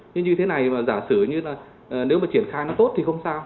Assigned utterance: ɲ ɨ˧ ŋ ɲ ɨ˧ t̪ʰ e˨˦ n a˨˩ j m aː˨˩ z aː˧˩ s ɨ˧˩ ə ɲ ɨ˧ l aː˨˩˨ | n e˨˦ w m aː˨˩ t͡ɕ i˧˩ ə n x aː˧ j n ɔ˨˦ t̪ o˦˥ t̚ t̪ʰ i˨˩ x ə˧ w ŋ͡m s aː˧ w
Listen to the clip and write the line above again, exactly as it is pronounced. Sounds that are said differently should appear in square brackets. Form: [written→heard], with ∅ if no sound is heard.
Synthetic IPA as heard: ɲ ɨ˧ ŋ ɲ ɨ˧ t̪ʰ e˨˦ n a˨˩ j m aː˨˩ z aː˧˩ s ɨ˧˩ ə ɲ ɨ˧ l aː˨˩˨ | n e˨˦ w m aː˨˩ t͡ɕ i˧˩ ə n x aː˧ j n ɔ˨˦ t̪ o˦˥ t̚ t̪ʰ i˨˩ x ə˧ w ŋ͡m s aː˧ w